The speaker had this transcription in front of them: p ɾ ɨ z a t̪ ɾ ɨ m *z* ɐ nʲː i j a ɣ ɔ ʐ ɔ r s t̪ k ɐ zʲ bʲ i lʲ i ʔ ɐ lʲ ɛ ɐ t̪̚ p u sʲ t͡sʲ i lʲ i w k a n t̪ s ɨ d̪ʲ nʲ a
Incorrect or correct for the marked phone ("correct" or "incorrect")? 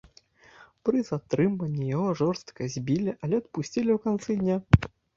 incorrect